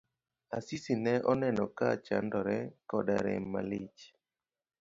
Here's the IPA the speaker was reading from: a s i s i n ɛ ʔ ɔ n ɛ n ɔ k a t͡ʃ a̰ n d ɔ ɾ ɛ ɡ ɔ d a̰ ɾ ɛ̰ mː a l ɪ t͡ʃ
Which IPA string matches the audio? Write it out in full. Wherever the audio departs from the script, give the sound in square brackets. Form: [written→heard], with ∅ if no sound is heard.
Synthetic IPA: a s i s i n ɛ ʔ ɔ n ɛ n ɔ k a t͡ʃ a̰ n d ɔ ɾ ɛ [ɡ→k] ɔ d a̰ ɾ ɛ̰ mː a l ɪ t͡ʃ